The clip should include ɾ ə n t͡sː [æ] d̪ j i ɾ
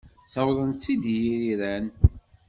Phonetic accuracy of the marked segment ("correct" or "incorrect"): incorrect